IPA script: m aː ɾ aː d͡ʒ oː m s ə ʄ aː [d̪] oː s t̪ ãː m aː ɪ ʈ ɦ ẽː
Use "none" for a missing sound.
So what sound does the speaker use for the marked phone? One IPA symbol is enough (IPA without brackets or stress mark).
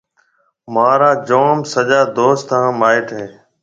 d̪